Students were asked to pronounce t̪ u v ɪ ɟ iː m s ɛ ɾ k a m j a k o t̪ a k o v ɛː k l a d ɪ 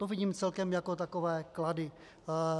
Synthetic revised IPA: t̪ o v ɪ ɟ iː m t͡s ɛ l k ɛ m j a k o t̪ a k o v ɛː k l a d ɪ